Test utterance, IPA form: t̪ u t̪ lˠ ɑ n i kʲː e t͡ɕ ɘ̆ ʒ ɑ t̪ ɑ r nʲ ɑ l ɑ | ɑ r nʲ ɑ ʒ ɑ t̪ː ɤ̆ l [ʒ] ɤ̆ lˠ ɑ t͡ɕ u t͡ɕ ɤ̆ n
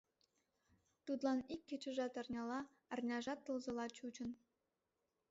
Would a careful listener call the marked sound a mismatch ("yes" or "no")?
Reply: yes